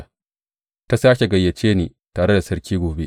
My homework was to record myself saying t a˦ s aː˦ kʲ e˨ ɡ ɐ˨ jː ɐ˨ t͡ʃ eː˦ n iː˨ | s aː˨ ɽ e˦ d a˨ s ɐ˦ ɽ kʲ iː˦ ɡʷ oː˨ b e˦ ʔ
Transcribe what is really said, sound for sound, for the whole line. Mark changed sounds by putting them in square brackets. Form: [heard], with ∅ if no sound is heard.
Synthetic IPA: t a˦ s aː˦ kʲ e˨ ɡ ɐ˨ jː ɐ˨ t͡ʃ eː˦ n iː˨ | [t] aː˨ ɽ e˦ d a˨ s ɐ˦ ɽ kʲ iː˦ ɡʷ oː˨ b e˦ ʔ